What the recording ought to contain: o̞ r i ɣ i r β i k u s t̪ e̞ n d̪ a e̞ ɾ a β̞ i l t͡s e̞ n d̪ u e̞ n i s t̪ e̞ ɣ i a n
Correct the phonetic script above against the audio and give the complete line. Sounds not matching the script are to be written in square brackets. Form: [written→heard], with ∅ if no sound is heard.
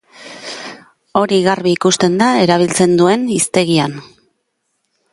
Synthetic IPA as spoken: o̞ [r→ɾ] i ɣ [i→a] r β [i→iː] k u s t̪ e̞ n d̪ a e̞ ɾ a β̞ i l t͡s e̞ n d̪ u e̞ n i s t̪ e̞ ɣ i a n